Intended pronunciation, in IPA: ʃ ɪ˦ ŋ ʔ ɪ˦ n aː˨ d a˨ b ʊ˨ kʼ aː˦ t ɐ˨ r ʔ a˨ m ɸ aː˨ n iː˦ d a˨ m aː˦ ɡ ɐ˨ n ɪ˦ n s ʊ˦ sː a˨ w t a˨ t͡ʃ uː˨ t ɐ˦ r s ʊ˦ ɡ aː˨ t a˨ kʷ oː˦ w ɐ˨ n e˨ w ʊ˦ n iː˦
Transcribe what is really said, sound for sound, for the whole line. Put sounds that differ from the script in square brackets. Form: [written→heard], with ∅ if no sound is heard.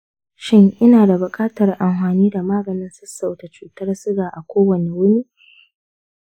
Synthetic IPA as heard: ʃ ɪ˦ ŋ ʔ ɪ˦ n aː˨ d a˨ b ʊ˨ kʼ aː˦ t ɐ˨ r ʔ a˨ m ɸ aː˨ n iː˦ d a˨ m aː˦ ɡ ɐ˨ n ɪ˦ n s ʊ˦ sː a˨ w t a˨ t͡ʃ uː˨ t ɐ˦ r s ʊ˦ ɡ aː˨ [t→ʔ] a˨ kʷ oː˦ w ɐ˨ n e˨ w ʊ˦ n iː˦